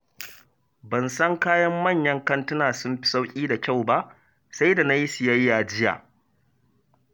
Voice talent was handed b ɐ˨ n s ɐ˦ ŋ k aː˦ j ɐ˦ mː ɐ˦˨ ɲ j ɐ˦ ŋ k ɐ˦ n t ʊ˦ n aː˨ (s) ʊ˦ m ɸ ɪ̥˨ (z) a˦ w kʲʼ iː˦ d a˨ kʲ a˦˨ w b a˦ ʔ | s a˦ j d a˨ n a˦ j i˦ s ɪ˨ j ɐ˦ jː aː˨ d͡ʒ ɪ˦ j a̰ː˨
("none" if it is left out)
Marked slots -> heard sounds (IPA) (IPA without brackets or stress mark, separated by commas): s, s